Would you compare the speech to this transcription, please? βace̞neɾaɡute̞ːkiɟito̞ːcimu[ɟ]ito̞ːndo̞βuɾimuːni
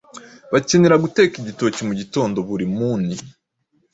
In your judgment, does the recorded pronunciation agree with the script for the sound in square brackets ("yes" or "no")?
yes